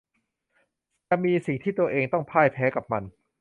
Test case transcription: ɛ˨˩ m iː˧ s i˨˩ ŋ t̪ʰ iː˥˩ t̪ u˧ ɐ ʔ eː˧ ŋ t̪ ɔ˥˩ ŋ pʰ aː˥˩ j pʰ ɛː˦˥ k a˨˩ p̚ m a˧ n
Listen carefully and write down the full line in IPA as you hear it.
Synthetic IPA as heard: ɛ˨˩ m iː˧ s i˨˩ ŋ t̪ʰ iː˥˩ t̪ u˧ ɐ ʔ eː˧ ŋ t̪ ɔ˥˩ ŋ pʰ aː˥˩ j pʰ ɛː˦˥ k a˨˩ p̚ m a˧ n

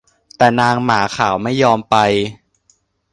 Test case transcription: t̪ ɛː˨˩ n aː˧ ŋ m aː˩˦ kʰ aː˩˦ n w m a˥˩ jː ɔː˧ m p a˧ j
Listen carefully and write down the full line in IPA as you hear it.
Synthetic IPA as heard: t̪ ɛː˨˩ n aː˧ ŋ m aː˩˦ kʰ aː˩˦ w m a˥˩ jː ɔː˧ m p a˧ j

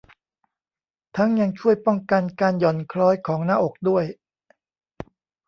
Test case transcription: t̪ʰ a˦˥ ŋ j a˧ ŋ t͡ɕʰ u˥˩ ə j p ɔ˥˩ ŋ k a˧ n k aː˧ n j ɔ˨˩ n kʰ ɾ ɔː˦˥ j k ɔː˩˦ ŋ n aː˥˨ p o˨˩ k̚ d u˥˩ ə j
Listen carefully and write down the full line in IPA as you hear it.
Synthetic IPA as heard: t̪ʰ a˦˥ ŋ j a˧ ŋ t͡ɕʰ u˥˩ ə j p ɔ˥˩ ŋ k a˧ n k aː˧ n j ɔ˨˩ n kʰ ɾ ɔː˦˥ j kʰ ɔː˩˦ ŋ n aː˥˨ ʔ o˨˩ k̚ d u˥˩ ə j

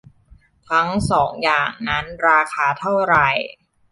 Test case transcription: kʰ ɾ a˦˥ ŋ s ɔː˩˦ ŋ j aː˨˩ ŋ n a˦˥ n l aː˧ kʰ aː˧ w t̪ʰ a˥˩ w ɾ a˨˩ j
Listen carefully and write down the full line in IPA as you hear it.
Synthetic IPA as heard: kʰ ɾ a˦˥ ŋ s ɔː˩˦ ŋ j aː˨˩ ŋ n a˦˥ n ɾ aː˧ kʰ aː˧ t̪ʰ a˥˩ w ɾ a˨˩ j

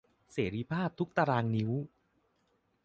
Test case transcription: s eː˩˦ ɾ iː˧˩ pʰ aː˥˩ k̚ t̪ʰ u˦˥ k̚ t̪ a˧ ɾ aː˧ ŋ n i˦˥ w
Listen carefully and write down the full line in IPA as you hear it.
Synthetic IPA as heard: s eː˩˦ ɾ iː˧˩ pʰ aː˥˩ p̚ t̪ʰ u˦˥ k̚ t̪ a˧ ɾ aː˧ ŋ n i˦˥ w

